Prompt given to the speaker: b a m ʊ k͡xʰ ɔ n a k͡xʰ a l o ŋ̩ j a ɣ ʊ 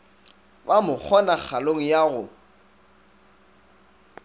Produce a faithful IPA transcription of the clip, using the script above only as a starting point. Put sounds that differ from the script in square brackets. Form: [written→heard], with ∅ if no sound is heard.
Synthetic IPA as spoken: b a m ʊ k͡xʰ ɔ n a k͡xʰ a l o ŋ̩ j a ɣ ʊ